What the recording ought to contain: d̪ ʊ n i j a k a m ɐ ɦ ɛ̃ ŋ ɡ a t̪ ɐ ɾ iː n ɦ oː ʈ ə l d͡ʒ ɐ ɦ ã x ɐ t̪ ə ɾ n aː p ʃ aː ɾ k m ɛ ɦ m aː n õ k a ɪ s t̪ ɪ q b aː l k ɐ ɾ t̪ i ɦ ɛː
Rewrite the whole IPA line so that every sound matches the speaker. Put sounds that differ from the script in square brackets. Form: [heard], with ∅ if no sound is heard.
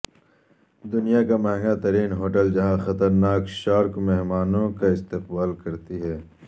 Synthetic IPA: d̪ ʊ n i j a k a m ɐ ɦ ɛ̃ ŋ ɡ a t̪ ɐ ɾ iː n ɦ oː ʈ ə l d͡ʒ ɐ ɦ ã x ɐ t̪ ə ɾ n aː [k] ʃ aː ɾ k m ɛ ɦ m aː n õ k a ɪ s t̪ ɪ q b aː l k ɐ ɾ t̪ i ɦ ɛː

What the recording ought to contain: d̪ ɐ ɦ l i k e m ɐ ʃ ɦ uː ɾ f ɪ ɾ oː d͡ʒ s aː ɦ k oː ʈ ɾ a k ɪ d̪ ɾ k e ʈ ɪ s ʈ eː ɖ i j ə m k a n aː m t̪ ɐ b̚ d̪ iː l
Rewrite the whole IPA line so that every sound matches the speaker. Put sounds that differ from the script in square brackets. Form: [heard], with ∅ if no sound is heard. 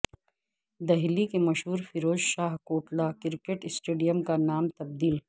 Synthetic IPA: d̪ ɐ ɦ l i k e m ɐ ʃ ɦ uː ɾ f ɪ ɾ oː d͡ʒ [ʃ] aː ɦ k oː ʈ [l] a k ɪ [∅] ɾ k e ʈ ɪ s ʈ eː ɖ i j ə m k a n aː m t̪ ɐ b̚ d̪ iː l

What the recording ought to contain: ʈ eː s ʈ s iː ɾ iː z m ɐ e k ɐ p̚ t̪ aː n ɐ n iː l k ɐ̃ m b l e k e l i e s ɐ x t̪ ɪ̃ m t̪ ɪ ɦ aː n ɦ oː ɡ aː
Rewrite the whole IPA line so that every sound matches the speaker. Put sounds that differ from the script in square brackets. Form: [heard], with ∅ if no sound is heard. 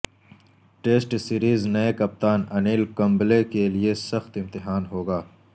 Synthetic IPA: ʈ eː s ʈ s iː ɾ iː z [n] ɐ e k ɐ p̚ t̪ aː n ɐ n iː l k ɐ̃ m b l e k e l i e s ɐ x t̪ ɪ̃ m t̪ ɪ ɦ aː n ɦ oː ɡ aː

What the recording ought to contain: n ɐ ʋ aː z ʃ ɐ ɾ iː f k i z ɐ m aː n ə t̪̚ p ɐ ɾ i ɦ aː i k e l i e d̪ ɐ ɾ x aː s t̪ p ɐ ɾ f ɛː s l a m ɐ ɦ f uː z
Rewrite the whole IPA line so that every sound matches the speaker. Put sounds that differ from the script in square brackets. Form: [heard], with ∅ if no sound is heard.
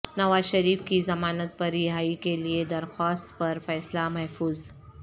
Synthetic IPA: n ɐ ʋ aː z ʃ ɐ ɾ iː f k i z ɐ m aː n ə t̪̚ p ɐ ɾ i ɦ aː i k e l i e d̪ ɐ ɾ x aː s t̪ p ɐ ɾ f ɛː s l a m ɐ ɦ f uː z

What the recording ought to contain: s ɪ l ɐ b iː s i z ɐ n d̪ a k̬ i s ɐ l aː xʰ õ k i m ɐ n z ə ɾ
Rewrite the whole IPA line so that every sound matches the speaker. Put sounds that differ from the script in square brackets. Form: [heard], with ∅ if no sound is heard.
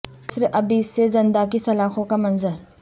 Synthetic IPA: s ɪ [ɾ] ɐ b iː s [e] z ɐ n d̪ a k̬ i s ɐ l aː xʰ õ k [a] m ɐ n z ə ɾ

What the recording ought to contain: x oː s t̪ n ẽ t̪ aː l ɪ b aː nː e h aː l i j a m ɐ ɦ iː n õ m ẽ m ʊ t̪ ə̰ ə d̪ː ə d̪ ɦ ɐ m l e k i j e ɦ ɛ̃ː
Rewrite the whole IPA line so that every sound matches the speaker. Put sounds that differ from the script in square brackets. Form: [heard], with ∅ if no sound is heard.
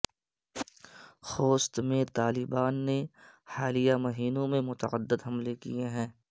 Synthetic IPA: x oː s t̪ [m] ẽ t̪ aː l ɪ b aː nː e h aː l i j a m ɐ ɦ iː n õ m ẽ m ʊ t̪ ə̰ ə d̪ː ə d̪ ɦ ɐ m l e k i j e ɦ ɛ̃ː

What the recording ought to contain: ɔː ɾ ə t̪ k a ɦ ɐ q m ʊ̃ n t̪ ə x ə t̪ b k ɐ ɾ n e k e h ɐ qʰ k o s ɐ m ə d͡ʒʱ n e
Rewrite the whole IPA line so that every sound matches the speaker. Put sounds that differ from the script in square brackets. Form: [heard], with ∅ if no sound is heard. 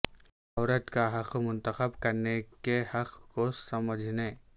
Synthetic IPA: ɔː ɾ ə t̪ k a ɦ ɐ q m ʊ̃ n t̪ ə x ə [∅] b k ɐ ɾ n e k e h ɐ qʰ k o s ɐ m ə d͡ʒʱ n e

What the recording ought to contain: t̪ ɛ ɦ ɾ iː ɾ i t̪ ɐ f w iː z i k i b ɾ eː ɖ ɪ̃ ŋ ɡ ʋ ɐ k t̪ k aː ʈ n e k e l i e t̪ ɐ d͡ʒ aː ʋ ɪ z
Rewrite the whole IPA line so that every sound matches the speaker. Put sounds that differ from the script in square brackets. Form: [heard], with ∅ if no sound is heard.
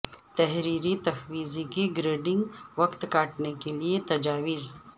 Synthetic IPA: t̪ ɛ ɦ ɾ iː ɾ i t̪ ɐ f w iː z i k i [ɡ] ɾ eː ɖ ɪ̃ ŋ ɡ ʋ ɐ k t̪ k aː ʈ n e k e l i e t̪ ɐ d͡ʒ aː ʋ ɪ z

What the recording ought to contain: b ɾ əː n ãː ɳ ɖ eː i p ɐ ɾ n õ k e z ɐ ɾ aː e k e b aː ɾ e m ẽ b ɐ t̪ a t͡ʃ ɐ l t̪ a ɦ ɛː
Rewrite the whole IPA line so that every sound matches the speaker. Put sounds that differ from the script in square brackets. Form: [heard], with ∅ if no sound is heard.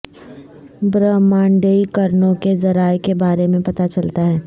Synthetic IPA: b ɾ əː [m] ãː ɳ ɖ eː i [k] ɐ ɾ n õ k e z ɐ ɾ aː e k e b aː ɾ e m ẽ [p] ɐ t̪ a t͡ʃ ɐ l t̪ a ɦ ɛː

